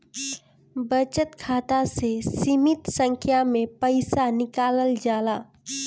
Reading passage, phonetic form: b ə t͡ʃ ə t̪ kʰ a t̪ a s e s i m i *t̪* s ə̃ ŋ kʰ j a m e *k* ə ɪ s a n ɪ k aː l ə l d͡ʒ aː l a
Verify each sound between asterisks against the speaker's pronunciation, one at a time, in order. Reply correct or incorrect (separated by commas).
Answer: correct, incorrect